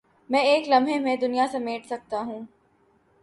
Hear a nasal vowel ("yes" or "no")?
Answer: yes